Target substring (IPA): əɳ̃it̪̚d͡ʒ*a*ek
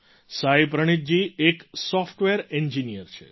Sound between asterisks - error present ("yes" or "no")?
yes